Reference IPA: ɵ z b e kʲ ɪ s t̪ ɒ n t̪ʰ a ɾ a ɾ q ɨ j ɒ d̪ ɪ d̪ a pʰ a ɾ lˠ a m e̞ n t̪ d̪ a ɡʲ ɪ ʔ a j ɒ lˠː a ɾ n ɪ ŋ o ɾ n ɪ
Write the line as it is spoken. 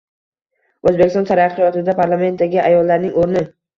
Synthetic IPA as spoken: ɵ z b e kʲ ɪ s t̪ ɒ n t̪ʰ a ɾ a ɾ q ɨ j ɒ t̪ ɪ d̪ a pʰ a ɾ lˠ a m e̞ n t̪ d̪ a ɡʲ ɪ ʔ a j ɒ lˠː a ɾ n ɪ ŋ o ɾ n ɪ

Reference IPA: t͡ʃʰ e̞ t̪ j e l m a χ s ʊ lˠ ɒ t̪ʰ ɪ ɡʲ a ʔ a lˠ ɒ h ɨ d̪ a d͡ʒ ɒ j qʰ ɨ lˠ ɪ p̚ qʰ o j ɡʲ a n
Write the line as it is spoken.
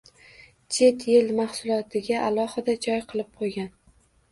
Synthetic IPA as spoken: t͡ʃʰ e̞ t̪ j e l m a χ s ʊ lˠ ɒ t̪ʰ ɪ ɡʲ a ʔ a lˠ ɒ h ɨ d̪ a d͡ʒ ɒ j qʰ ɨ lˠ ɪ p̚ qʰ o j ɡʲ a n

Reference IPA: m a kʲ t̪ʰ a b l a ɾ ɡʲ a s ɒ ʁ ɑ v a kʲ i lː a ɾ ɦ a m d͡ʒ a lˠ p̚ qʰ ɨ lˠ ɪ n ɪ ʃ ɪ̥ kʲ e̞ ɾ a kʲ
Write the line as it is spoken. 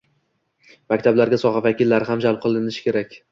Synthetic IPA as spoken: m a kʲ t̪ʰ a b l a ɾ ɡʲ a s ɒ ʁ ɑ v a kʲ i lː a ɾ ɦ a m d͡ʒ a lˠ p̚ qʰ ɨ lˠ ɪ n ɪ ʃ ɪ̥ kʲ e̞ ɾ a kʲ

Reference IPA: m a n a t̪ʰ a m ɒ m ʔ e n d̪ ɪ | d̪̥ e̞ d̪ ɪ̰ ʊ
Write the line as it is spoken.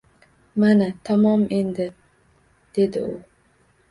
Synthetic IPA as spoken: m a n a t̪ʰ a m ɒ m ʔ e n d̪ ɪ | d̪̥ e̞ d̪ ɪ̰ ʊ

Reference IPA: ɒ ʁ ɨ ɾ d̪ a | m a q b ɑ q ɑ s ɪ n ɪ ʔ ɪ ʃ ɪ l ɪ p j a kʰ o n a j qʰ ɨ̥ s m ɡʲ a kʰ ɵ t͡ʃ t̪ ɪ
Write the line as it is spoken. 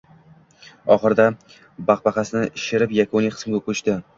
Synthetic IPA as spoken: ɒ χ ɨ ɾ d̪ a | b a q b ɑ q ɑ s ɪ n ɪ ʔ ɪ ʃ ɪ ɾ ɪ p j a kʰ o n i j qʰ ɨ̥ s m ɡʲ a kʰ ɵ t͡ʃ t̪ ɪ

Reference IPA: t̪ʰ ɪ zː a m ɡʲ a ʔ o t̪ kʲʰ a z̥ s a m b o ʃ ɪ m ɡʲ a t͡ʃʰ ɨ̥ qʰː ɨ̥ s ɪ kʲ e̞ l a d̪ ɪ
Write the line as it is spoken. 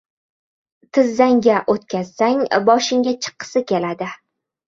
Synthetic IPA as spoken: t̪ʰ ɪ zː a ŋ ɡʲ a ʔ o t̪ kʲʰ a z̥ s a ŋ b ɒ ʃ ɪ ŋ ɡʲ a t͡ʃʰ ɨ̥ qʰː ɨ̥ s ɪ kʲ e̞ l a d̪ ɪ

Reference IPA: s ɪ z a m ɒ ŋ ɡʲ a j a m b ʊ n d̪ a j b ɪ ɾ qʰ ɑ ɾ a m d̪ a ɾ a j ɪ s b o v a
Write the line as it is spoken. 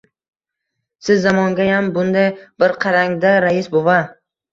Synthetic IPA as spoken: s ɪ zː a m ɒ ŋ ɡʲ a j a m b ʊ n d̪ a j b ɪ ɾ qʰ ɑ ɾ a ŋ d̪ a ɾ a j ɪ s b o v a

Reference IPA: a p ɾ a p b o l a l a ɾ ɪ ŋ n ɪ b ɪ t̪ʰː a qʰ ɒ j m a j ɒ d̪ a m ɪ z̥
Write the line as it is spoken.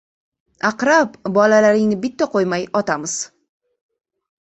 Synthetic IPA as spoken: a q ɾ a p b ɒ l a l a ɾ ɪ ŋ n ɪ b ɪ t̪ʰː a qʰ o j m a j ɒ t̪ a m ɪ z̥

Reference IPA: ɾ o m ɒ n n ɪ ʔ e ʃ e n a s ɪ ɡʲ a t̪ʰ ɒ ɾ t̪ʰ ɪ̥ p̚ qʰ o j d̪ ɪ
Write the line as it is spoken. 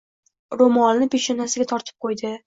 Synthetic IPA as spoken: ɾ o m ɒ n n ɪ p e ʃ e n a s ɪ ɡʲ a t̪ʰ ɒ ɾ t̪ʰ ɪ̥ p̚ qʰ o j d̪ ɪ

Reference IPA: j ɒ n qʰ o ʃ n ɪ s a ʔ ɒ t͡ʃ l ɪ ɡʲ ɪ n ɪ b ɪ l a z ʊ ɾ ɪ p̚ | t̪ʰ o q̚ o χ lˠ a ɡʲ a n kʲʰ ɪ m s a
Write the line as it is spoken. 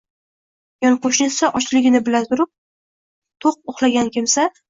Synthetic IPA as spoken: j ɒ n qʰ o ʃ n ɪ s a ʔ ɒ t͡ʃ l ɪ ɡʲ ɪ n ɪ b ɪ l a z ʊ ɾ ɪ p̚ | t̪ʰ o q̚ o χ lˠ a ɡʲ a n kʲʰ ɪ m s a

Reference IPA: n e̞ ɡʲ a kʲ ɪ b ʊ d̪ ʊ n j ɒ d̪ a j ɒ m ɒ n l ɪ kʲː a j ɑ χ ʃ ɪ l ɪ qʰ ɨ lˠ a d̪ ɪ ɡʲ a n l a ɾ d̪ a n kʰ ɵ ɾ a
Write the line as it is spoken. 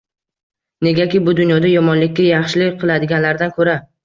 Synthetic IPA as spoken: n e̞ ɡʲ a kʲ ɪ b ʊ d̪ ʊ n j ɒ d̪ a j ɒ m ɒ n l ɪ kʲː a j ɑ χ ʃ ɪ l ɪ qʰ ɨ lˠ a d̪ ɪ ɡʲ a n l a ɾ d̪ a n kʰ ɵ ɾ a

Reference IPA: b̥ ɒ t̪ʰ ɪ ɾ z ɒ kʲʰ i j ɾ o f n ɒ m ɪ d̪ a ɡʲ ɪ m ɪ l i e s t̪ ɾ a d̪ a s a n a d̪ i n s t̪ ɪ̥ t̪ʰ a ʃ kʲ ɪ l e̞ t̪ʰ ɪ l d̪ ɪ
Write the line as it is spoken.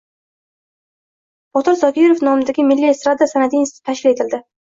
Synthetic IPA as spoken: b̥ ɒ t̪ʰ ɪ ɾ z ɒ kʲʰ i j ɾ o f n ɒ m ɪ d̪ a ɡʲ ɪ m ɪ lː i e s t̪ ɾ a d̪ a s a n a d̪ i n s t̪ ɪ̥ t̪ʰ a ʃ kʲ ɪ l e̞ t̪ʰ ɪ l d̪ ɪ

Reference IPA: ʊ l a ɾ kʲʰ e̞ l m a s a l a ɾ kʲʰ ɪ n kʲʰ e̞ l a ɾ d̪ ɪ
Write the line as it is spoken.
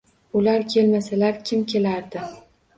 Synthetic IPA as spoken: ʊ l a ɾ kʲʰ e̞ l m a s a l a ɾ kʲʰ ɪ m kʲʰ e̞ l a ɾ d̪ ɪ

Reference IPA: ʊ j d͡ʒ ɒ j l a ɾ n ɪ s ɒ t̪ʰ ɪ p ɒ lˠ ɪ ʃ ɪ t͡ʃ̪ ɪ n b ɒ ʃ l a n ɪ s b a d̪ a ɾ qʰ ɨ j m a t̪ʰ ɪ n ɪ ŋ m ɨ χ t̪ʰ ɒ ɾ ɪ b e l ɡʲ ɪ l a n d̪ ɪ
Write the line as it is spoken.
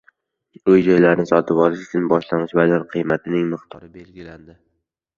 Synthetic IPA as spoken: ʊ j d͡ʒ ɒ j l a ɾ n ɪ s ɒ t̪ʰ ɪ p ɒ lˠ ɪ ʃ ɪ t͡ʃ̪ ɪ n b ɒ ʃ l a n ɪ ʃ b a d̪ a ɾ qʰ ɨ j m a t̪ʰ ɪ n ɪ ŋ m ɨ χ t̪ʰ ɒ ɾ ɪ b e l ɡʲ ɪ l a n d̪ ɪ

